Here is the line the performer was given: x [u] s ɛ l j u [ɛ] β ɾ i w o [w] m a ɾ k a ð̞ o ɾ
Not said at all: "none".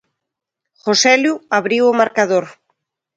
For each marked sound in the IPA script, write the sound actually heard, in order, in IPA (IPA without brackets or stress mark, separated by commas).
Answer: o, a, none